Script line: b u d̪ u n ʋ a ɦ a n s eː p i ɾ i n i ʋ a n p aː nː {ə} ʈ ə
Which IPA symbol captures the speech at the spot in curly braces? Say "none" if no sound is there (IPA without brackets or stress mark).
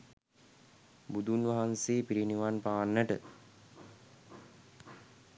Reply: ə